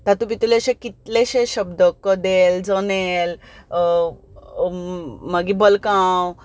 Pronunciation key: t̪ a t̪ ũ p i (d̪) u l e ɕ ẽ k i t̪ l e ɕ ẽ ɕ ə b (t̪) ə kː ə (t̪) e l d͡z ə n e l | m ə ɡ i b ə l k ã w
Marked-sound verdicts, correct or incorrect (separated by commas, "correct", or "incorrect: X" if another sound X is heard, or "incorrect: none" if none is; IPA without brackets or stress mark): incorrect: t̪, incorrect: d̪, incorrect: d̪